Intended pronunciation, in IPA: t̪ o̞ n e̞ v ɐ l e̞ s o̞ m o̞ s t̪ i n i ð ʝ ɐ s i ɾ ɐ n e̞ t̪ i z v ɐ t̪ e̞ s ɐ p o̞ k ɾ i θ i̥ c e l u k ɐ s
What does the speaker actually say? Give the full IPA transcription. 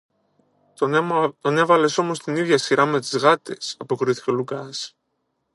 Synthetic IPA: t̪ o̞ n e̞ v ɐ l e̞ s o̞ m o̞ s t̪ i n i ð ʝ ɐ s i ɾ ɐ m e̞ t̪ i z ɣ ɐ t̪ e̞ s ɐ p o̞ k ɾ i θ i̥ c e l u k ɐ s

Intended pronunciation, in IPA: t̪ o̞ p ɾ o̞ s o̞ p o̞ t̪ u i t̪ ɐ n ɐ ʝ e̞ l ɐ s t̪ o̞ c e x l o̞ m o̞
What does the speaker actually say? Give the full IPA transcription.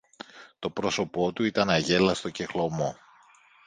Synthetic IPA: t̪ o̞ p ɾ o̞ s o̞ p o̞ t̪ u i t̪ ɐ n ɐ ʝ e̞ l ɐ s t̪ o̞ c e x l o̞ m o̞

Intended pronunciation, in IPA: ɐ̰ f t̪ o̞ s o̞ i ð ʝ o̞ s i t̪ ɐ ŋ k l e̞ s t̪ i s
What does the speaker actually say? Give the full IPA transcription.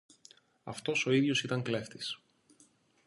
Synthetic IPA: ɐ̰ f t̪ o̞ s o̞ i ð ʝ o̞ s i t̪ ɐ ŋ k l e̞ f t̪ i s

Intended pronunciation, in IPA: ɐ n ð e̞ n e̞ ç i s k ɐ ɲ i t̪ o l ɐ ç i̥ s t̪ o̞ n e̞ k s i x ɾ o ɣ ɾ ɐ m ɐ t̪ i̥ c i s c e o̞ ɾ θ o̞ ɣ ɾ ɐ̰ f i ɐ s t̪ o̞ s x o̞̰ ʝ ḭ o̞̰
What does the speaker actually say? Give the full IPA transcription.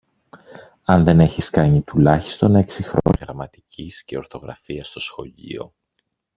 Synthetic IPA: ɐ n ð e̞ n e̞ ç i s k ɐ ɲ i t̪ u l ɐ ç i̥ s t̪ o̞ n e̞ k s i x ɾ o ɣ ɾ ɐ m ɐ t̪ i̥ c i s c e o̞ ɾ θ o̞ ɣ ɾ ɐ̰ f i ɐ s t̪ o̞ s x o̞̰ ʎ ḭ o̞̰

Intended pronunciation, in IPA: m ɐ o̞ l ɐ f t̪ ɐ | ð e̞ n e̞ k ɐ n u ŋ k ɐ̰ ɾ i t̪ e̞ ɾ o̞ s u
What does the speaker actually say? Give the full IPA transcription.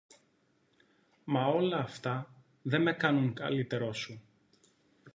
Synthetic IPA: m ɐ o̞ l ɐː f t̪ ɐ | ð e̞ m e̞ k ɐ n u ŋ k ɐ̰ l i t̪ e̞ ɾ o̞ s u

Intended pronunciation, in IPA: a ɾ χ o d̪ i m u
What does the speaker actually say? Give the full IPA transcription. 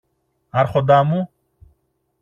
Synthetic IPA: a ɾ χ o d̪ a m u

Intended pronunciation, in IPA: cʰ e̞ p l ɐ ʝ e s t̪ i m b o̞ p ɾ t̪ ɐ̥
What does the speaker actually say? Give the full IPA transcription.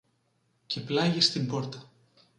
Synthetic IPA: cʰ e̞ p l ɐ ʝ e s t̪ i m b o̞ ɾ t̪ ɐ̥

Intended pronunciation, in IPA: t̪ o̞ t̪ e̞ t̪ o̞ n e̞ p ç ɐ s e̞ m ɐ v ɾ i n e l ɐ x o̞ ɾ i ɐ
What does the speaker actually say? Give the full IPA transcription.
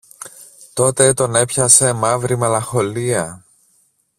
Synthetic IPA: t̪ o̞ t̪ e̞ t̪ o̞ n e̞ p ç ɐ s e̞ m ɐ v ɾ i m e l ɐ x o̞ l i ɐ

